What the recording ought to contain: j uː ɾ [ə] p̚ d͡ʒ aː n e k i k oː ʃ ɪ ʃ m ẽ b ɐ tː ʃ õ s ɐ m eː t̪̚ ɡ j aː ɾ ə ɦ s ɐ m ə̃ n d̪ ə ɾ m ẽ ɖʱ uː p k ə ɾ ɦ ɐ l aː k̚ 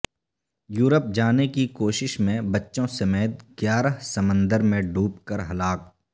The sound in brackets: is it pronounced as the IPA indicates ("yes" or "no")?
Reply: yes